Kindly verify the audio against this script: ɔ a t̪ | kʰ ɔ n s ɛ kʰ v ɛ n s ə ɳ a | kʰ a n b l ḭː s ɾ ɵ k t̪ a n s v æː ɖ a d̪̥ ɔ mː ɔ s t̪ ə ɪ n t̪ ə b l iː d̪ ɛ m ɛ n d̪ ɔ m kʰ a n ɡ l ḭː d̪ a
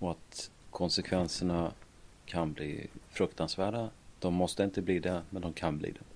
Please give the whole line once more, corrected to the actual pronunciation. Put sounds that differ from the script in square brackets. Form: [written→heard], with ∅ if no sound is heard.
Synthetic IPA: ɔ a t̪ | kʰ ɔ n s ɛ kʰ v ɛ n s ə ɳ a | kʰ a n b l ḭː [s→f] ɾ ɵ k t̪ a n s v æː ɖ a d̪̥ ɔ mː ɔ s t̪ ə ɪ n t̪ ə b l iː d̪ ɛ m ɛ n d̪ ɔ m kʰ a n [ɡ→b] l ḭː d̪ [a→ɛ]